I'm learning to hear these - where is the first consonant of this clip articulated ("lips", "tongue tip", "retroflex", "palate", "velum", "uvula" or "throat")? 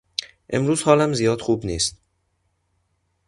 throat